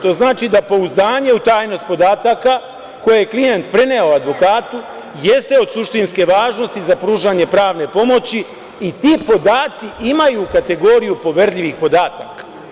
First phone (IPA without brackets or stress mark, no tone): t̪